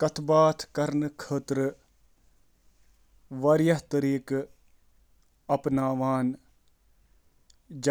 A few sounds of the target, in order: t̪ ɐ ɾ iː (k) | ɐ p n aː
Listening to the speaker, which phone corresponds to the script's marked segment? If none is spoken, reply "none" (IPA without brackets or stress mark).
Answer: k